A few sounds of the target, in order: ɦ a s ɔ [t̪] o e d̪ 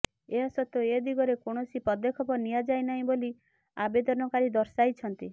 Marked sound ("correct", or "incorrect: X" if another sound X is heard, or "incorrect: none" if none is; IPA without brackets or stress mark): correct